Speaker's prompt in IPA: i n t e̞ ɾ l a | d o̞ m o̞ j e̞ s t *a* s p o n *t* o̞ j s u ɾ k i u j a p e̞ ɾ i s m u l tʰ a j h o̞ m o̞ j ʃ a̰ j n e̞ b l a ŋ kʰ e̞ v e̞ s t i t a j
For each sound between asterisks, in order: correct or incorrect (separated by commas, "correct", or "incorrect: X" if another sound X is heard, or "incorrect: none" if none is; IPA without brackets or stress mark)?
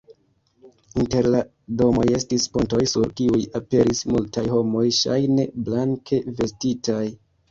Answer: incorrect: i, correct